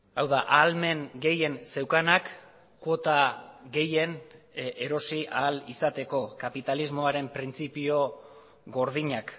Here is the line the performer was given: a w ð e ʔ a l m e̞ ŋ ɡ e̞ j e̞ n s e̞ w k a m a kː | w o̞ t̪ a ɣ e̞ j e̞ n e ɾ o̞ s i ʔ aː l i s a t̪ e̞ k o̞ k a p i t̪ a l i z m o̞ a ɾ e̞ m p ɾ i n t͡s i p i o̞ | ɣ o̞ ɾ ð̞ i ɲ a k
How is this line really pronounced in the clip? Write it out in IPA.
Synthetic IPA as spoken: a w ð a ʔ a l m e̞ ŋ ɡ e̞ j e̞ n s e̞ w k a n a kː | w o̞ t̪ a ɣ e̞ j e̞ n e ɾ o̞ s i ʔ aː l i s a t̪ e̞ k o̞ k a p i t̪ a l i z m o̞ a ɾ e̞ m p ɾ i n t͡s i p i o̞ | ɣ o̞ ɾ ð̞ i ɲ a k